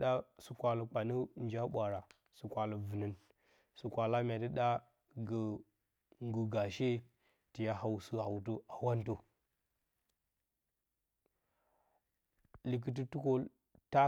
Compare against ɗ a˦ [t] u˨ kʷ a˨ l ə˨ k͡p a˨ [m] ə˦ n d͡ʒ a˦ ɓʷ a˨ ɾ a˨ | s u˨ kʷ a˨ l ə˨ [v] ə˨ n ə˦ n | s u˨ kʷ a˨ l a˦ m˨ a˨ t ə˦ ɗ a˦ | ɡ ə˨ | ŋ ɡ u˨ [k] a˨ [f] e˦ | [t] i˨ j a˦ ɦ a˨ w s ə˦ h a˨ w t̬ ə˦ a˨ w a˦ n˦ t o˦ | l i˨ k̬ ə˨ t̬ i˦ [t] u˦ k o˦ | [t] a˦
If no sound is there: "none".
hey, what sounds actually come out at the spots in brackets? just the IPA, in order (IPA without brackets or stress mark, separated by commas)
s, n, v, ɡ, ʃ, t, t, t